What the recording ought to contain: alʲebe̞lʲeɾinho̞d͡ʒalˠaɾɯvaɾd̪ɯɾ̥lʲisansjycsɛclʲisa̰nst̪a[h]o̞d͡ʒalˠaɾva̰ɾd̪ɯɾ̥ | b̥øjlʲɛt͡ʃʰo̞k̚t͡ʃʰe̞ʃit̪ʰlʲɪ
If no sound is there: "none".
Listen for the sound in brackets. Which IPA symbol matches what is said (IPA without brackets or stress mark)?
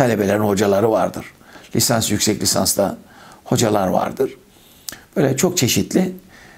h